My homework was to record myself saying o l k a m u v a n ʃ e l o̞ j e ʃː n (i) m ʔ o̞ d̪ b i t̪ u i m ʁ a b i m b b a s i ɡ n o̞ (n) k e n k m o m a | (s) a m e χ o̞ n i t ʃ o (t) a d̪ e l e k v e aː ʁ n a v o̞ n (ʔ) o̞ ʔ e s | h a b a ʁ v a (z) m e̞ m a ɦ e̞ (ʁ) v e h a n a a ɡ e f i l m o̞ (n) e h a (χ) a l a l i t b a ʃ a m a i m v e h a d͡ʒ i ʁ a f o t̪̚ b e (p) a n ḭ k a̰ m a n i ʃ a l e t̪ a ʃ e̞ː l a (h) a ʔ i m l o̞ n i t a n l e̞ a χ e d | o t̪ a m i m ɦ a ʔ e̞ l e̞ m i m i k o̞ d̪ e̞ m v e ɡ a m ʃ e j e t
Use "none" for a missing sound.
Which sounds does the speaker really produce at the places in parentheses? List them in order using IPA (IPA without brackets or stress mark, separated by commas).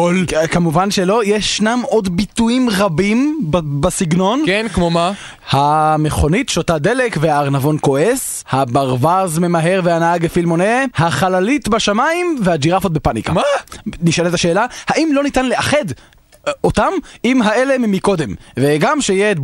a, n, h, t, k, z, ʁ, n, χ, p, h